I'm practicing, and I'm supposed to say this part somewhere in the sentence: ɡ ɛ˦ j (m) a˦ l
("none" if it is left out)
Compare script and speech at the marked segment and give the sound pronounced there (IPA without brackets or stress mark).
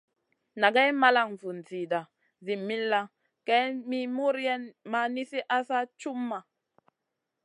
m